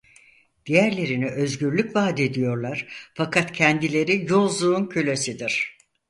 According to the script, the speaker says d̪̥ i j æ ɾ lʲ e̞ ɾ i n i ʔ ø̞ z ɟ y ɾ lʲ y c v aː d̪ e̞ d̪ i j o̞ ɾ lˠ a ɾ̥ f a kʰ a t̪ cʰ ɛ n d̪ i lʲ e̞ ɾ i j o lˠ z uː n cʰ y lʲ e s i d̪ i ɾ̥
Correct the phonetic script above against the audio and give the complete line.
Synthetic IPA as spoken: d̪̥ i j æ ɾ lʲ e̞ ɾ i n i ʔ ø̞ z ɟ y ɾ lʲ y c v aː d̪ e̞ d̪ i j o̞ ɾ lˠ a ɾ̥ f a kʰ a t̪ cʰ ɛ n d̪ i lʲ e̞ ɾ i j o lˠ z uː n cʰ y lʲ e s i d̪ i ɾ̥